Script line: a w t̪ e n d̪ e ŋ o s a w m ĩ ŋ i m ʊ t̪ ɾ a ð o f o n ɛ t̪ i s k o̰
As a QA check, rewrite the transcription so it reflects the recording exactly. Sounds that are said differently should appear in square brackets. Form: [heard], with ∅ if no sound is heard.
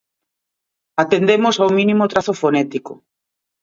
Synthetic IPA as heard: a [∅] t̪ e n d̪ e [m] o s a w m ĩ [n] i m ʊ t̪ ɾ a [θ] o f o n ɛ t̪ i [∅] k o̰

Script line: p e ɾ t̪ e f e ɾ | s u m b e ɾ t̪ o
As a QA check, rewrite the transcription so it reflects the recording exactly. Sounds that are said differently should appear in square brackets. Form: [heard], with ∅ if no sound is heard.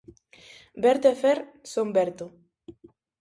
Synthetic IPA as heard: [b] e ɾ t̪ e f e ɾ | s [o] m b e ɾ t̪ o

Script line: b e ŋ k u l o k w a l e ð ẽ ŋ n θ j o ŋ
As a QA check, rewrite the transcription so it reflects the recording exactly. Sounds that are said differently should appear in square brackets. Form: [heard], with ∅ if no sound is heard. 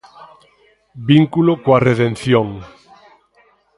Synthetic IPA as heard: b [i] ŋ k u l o k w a [r] e ð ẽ [∅] n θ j o ŋ

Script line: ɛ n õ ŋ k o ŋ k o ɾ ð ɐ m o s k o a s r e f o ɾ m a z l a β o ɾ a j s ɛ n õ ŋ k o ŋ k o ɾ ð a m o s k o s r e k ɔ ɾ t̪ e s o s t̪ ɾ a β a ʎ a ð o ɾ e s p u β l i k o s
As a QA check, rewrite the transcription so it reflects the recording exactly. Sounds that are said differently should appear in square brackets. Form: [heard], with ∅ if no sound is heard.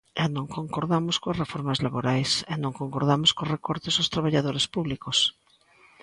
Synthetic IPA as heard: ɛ n õ ŋ k o ŋ k o ɾ ð [a] m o s k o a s r e f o ɾ m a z l a β o ɾ a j s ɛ n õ ŋ k o ŋ k o ɾ ð a m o s k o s r e k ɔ ɾ t̪ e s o s t̪ ɾ a β a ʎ a ð o ɾ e s p u β l i k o s

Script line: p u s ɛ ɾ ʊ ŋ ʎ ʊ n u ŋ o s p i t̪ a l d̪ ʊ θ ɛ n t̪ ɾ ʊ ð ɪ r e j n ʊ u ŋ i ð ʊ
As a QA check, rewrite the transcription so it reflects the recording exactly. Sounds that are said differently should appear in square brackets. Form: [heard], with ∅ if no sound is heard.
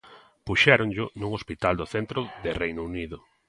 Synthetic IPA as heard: p u [ʃ] ɛ ɾ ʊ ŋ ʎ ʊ n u ŋ o s p i t̪ a l d̪ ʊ θ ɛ n t̪ ɾ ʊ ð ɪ r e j n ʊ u [n] i ð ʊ

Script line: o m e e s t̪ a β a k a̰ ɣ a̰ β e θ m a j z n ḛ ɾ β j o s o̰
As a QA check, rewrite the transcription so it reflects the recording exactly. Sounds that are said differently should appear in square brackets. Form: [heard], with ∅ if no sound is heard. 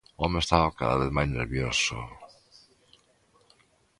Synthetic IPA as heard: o m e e s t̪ a β a k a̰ [ð] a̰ β e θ m a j z n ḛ ɾ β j o s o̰

